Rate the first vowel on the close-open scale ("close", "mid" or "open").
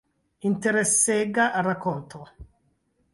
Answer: close